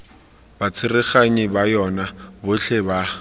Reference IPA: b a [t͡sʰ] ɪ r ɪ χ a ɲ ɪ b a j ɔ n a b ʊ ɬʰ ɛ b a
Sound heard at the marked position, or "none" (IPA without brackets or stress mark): t͡sʰ